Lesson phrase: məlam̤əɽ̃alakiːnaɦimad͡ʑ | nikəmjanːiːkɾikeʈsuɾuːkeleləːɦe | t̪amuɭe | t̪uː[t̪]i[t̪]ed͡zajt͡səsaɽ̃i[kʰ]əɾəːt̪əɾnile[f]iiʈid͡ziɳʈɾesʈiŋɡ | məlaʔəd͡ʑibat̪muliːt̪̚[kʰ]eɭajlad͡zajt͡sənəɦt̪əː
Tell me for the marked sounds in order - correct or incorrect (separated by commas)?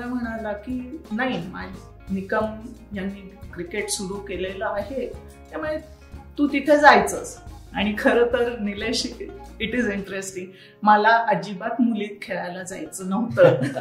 correct, incorrect, correct, incorrect, correct